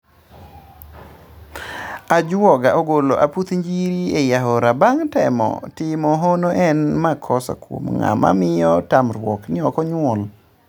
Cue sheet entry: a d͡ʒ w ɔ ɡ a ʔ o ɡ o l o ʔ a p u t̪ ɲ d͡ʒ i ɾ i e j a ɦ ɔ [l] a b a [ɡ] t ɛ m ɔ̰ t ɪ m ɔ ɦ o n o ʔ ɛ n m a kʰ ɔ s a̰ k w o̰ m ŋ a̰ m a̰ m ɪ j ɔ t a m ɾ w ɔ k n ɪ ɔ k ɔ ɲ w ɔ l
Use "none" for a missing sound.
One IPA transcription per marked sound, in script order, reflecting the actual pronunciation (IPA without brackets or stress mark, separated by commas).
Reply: ɾ, ŋ